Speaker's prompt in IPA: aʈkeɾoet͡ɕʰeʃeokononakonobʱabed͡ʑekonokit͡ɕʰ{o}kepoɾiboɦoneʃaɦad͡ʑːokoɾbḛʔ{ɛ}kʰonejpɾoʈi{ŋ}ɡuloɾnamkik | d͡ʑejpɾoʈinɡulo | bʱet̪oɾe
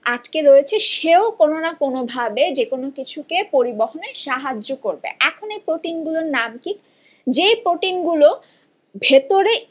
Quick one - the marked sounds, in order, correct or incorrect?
incorrect: u, correct, incorrect: n

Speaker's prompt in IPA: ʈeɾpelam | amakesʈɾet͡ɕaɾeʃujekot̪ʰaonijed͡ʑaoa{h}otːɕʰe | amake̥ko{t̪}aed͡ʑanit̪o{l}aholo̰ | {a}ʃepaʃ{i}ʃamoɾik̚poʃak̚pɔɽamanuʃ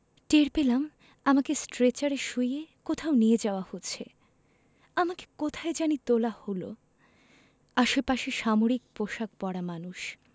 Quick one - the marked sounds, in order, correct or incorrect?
correct, incorrect: t̪ʰ, correct, correct, incorrect: e

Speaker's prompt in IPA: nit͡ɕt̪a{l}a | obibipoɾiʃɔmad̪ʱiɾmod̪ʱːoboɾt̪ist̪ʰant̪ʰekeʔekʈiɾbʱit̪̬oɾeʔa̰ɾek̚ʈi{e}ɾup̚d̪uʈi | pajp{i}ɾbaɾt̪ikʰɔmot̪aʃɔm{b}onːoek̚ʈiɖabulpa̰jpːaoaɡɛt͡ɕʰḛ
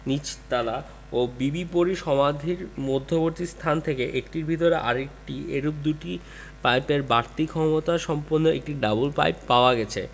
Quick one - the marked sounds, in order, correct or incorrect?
correct, correct, incorrect: e, incorrect: p

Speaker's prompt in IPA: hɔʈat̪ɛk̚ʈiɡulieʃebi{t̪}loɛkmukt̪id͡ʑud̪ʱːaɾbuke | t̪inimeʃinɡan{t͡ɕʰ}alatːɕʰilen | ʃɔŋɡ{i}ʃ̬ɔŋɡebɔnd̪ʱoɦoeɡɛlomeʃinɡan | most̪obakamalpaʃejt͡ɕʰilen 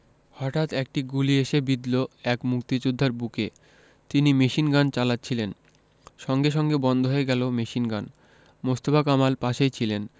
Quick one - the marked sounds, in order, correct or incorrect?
incorrect: d̪, incorrect: t͡ɕ, incorrect: e

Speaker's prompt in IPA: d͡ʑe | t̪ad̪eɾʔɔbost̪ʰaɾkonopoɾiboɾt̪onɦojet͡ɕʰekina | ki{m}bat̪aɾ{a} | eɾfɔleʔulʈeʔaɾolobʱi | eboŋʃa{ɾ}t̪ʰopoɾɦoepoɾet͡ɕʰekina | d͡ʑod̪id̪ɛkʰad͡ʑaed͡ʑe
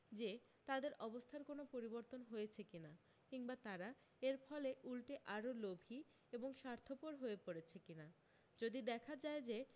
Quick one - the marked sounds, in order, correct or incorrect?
incorrect: ŋ, correct, correct

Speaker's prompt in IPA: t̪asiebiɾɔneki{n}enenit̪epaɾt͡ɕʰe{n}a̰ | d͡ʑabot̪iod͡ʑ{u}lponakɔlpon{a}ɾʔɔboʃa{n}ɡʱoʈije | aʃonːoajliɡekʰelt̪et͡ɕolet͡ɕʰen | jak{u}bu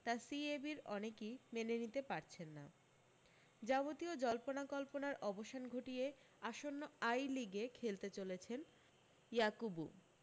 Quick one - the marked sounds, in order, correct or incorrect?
incorrect: m, incorrect: nː, incorrect: ɔ, correct, correct, correct

